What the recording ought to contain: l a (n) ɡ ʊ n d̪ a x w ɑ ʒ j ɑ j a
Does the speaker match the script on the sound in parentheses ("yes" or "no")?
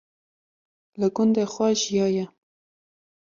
no